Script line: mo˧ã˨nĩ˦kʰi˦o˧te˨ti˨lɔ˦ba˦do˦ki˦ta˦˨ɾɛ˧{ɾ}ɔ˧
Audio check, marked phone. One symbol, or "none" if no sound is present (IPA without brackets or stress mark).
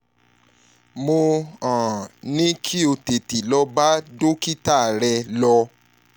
l